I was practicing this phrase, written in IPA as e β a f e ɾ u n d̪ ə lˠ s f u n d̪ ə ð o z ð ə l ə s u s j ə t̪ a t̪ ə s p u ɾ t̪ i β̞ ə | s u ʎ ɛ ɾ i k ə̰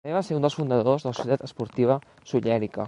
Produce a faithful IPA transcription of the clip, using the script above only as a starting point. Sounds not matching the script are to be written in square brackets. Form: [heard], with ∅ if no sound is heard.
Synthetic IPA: e β a [s] e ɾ u n d̪ ə lˠ s f u n d̪ ə ð o z ð ə l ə s u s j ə t̪ a t̪ ə s p u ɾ t̪ i β̞ ə | s u ʎ ɛ ɾ i k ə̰